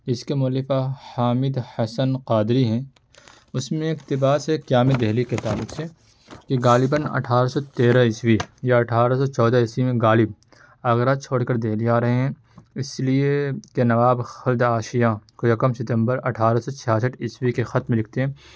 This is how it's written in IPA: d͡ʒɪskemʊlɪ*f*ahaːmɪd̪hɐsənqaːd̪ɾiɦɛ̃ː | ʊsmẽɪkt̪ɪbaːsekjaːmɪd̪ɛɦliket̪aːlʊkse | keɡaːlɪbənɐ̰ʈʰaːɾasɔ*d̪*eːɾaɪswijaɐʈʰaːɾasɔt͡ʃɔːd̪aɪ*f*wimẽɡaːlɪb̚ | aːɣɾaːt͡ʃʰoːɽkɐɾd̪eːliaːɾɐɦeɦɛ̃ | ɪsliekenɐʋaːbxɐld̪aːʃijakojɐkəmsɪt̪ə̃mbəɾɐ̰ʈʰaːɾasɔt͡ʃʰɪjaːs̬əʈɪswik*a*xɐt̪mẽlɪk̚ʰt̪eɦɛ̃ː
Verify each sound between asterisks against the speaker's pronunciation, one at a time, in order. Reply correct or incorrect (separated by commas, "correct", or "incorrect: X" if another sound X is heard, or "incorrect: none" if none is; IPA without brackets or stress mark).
correct, incorrect: t̪, incorrect: s, incorrect: e